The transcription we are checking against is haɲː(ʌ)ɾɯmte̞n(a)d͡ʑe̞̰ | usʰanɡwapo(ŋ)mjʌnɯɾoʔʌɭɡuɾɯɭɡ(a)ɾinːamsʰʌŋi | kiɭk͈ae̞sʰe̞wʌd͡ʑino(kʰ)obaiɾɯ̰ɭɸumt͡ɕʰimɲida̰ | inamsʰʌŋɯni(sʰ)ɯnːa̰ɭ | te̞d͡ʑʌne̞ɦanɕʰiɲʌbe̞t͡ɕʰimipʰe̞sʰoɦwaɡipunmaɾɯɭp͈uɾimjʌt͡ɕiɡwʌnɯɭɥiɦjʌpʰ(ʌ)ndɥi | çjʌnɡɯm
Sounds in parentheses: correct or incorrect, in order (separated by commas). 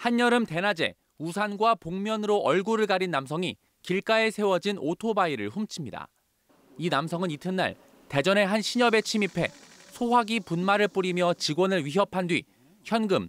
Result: correct, correct, correct, correct, incorrect, incorrect, incorrect